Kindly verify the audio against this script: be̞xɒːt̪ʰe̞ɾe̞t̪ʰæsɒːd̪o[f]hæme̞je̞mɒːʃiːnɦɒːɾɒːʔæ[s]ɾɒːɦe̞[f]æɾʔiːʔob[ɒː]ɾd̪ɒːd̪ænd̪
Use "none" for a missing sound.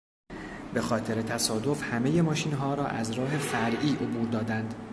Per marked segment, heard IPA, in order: f, z, f, uː

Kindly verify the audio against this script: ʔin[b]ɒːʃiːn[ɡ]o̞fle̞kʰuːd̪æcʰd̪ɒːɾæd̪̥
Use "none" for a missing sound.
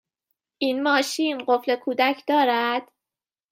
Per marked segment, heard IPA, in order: m, ɢ

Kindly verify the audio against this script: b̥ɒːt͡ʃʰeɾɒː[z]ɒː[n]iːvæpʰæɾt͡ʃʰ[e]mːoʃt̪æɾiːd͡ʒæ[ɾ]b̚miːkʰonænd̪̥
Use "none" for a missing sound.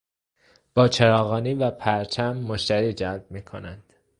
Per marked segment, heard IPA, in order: ɣ, n, æ, l

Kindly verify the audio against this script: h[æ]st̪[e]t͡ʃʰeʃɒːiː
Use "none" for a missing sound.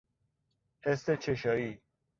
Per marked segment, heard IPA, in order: e, e

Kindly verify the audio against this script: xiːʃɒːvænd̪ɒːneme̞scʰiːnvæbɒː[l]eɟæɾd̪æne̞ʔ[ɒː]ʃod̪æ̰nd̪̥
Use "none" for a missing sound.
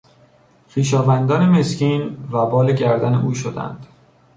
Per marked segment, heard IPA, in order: l, uː

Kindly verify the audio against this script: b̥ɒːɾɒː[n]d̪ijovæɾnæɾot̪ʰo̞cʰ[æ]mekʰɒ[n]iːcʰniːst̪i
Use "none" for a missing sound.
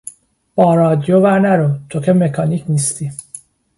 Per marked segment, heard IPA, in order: none, e, n

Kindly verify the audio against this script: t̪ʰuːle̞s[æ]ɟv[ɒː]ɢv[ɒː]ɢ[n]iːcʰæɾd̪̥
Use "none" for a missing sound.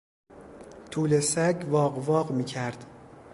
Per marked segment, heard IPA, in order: æ, ɒː, ɒː, m

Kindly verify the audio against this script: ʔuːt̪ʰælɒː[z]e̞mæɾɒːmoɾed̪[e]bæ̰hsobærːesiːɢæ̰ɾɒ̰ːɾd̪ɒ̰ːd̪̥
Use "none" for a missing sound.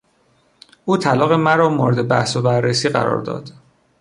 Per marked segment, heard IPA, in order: ɣ, e

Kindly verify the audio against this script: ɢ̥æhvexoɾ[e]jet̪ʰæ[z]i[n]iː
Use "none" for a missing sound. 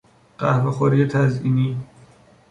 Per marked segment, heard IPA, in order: i, z, n

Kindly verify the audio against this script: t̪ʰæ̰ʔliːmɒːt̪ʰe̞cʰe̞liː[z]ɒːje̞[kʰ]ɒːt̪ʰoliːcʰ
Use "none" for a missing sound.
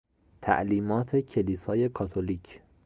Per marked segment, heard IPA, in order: s, kʰ

